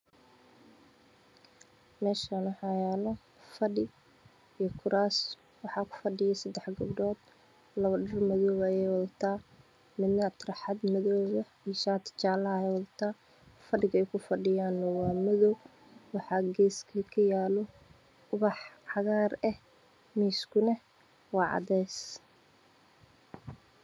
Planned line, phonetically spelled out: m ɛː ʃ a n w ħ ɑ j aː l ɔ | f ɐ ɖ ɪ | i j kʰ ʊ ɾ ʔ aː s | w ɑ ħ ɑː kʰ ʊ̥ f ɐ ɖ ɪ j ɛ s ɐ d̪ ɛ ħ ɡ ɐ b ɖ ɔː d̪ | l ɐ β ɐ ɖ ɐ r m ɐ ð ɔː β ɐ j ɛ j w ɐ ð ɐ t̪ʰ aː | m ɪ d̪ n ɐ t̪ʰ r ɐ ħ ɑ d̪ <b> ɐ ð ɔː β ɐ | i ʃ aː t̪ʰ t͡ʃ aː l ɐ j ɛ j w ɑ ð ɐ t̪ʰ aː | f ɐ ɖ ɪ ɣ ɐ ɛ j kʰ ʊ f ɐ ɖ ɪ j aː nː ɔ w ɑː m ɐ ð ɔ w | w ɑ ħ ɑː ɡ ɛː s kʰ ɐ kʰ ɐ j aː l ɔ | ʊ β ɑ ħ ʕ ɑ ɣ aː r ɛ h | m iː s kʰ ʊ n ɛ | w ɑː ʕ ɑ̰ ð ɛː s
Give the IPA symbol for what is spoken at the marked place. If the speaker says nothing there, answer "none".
m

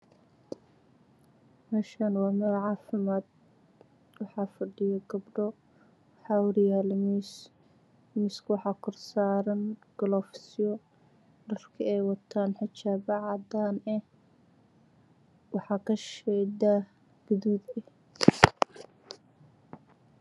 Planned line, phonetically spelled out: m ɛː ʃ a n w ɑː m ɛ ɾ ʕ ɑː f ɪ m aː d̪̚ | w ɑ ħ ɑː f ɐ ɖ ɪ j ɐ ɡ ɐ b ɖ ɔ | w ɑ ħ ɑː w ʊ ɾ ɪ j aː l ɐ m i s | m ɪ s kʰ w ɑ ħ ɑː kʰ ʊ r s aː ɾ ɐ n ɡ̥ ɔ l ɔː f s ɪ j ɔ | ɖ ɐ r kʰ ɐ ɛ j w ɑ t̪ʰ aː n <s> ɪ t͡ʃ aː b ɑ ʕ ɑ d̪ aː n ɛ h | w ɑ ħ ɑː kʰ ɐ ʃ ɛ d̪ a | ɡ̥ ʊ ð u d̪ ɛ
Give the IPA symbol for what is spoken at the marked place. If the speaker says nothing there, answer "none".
ħ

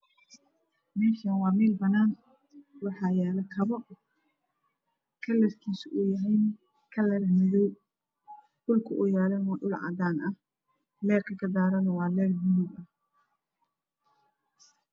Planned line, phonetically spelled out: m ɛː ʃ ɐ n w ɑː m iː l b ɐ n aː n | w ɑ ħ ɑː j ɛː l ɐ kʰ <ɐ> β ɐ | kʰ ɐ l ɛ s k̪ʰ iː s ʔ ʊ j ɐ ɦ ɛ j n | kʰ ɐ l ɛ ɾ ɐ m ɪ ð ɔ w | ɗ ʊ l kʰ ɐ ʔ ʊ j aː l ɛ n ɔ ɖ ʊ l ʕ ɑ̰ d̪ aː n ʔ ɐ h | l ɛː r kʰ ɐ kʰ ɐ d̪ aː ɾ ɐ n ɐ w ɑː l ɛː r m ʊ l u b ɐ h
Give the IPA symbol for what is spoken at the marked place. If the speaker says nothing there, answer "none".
ɐ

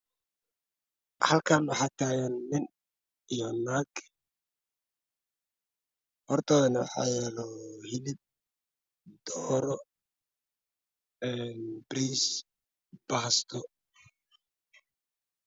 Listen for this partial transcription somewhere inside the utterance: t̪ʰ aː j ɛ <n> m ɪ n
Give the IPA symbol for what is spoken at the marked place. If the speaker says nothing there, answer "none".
n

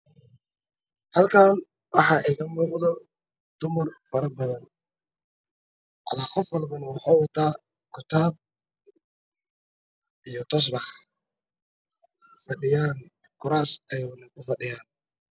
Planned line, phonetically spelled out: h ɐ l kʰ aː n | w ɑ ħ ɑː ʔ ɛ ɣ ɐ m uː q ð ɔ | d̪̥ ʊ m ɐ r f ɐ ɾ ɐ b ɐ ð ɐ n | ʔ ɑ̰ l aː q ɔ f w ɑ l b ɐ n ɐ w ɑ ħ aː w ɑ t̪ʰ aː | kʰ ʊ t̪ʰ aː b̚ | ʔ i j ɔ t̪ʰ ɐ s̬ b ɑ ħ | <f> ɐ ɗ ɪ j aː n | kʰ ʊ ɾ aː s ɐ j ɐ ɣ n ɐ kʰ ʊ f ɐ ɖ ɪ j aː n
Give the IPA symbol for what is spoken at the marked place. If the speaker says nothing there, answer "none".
f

